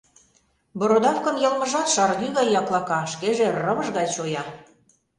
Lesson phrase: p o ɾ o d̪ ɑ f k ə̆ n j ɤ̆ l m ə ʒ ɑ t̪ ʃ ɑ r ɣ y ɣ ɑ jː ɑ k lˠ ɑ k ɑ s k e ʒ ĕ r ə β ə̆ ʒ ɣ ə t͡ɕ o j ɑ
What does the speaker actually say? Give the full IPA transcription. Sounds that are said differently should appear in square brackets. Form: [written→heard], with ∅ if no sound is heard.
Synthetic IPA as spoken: [p→b] o ɾ o d̪ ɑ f k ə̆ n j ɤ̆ l m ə ʒ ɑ t̪ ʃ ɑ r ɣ y ɣ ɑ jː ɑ k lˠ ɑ k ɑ [s→ʃ] k e ʒ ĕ r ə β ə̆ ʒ ɣ [ə→ɑ] t͡ɕ o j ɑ